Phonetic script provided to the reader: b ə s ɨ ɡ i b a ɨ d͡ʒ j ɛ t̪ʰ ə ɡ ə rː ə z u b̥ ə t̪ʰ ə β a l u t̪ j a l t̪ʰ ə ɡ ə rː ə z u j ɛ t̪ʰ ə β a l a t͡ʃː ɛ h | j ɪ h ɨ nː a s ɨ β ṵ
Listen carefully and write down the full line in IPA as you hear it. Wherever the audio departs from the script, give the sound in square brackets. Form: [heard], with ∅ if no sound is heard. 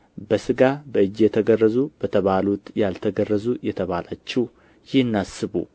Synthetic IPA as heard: b ə s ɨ ɡ [a] b [ə] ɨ d͡ʒ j ɛ t̪ʰ ə ɡ ə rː ə z u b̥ ə t̪ʰ ə β a l u t̪ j a l t̪ʰ ə ɡ ə rː ə z u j ɛ t̪ʰ ə β a l a t͡ʃː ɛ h | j ɪ h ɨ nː a s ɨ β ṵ